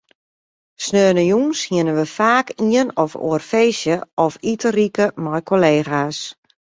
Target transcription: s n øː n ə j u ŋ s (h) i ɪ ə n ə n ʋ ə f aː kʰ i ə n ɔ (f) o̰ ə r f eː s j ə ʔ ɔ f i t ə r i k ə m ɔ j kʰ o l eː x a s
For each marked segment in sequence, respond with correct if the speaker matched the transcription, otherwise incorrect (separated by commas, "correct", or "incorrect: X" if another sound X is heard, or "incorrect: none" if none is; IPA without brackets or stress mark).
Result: correct, correct